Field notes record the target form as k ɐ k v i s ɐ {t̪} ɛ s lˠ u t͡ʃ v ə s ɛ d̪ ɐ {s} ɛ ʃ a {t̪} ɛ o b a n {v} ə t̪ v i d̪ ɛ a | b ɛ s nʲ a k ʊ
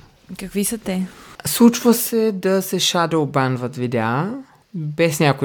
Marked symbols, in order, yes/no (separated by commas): yes, yes, no, yes